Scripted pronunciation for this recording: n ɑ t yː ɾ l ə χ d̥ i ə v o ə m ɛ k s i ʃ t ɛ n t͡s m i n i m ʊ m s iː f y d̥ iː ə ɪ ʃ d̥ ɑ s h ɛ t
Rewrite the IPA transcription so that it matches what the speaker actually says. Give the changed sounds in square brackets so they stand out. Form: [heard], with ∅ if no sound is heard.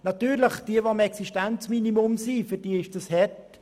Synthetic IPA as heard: n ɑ t yː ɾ l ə χ d̥ i ə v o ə m ɛ k s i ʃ t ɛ n t͡s m i n i m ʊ m s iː f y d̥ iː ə ɪ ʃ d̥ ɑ s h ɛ t